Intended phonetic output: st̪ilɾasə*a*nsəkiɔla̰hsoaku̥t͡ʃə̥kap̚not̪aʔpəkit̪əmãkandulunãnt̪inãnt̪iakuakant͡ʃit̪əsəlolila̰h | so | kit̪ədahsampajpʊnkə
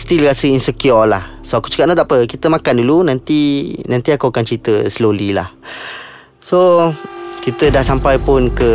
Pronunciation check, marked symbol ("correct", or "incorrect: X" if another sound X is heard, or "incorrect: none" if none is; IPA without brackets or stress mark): incorrect: i